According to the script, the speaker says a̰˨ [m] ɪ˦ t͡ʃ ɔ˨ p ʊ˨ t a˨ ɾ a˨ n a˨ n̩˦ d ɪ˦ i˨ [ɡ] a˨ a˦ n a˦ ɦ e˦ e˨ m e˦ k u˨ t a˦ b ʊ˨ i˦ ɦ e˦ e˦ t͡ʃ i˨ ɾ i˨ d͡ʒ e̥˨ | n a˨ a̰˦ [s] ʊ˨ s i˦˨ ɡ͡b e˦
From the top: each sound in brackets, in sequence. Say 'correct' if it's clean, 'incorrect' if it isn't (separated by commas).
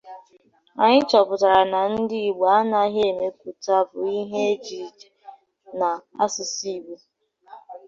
incorrect, incorrect, correct